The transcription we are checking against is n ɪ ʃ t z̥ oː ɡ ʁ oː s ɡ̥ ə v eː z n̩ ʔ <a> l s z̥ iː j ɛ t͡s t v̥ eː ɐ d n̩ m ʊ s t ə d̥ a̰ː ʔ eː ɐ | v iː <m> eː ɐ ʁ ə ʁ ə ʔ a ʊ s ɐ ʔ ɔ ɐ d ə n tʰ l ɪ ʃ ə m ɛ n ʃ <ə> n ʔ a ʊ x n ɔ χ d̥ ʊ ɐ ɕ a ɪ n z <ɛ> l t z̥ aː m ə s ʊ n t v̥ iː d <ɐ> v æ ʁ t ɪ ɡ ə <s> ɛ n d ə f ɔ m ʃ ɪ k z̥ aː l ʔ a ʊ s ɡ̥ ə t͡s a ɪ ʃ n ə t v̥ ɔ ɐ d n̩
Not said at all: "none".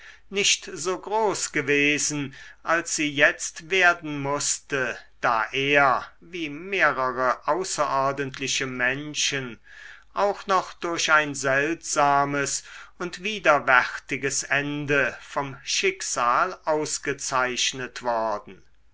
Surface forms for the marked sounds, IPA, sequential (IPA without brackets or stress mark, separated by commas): a, m, ə, ɛ, ɐ, s